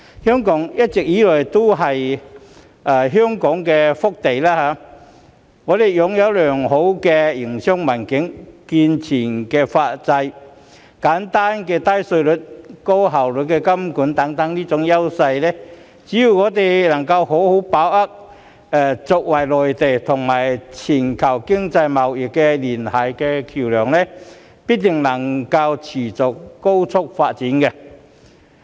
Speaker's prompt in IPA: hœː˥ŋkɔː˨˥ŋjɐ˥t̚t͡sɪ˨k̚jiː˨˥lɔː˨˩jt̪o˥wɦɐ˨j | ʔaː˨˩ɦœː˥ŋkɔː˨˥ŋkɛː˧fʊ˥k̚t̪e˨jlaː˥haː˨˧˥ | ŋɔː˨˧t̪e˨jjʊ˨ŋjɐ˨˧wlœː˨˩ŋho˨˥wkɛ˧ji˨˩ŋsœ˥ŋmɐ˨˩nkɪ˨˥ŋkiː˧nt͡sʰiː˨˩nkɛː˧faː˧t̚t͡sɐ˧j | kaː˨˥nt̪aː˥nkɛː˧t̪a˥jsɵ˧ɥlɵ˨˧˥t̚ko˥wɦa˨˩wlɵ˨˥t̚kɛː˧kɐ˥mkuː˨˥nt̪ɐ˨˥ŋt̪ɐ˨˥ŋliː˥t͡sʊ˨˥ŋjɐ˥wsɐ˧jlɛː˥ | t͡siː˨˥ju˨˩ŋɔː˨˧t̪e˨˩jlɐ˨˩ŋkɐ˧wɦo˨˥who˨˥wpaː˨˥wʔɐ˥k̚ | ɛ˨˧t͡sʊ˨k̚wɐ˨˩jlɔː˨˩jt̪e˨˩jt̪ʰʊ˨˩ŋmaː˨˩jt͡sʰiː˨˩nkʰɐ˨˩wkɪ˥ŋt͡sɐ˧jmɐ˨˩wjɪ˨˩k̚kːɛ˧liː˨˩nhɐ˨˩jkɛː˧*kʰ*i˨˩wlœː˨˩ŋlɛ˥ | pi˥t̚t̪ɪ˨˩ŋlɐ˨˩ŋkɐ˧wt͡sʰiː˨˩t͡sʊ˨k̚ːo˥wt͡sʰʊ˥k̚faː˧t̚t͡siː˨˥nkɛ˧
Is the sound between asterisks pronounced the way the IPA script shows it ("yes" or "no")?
yes